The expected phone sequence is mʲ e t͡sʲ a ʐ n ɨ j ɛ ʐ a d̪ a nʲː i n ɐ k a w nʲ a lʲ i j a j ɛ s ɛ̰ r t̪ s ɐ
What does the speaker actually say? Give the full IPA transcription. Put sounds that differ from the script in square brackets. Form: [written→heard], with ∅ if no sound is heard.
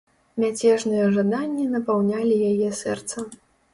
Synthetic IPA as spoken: mʲ [e→a] t͡sʲ [a→ɛ] ʐ n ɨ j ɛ ʐ a d̪ a nʲː i n ɐ [k→p] a w nʲ a lʲ i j a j ɛ s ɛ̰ r t̪ s ɐ